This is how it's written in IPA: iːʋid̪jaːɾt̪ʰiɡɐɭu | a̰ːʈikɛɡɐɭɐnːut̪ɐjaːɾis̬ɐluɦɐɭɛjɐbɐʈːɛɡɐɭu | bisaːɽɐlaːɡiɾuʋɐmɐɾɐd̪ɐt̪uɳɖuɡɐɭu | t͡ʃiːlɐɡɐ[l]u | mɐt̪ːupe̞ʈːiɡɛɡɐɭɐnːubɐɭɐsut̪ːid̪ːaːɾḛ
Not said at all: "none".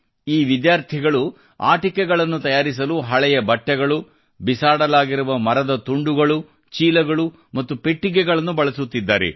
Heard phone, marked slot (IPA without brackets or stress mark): ɭ